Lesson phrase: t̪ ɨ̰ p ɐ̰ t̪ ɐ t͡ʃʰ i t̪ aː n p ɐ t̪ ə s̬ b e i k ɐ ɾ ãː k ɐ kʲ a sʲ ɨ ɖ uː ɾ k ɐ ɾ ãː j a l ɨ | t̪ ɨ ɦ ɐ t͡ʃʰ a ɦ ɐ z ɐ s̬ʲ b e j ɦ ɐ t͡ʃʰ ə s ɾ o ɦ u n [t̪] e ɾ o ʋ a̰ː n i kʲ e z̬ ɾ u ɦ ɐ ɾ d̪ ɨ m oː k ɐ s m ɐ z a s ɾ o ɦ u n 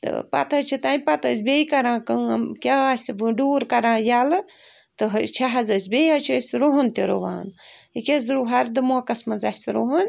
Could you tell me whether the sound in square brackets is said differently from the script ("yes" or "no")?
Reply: no